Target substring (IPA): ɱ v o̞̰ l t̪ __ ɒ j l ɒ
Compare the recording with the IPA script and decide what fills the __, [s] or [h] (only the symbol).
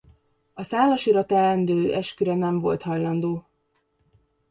h